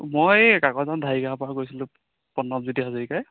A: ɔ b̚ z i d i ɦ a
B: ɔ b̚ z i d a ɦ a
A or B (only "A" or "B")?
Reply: A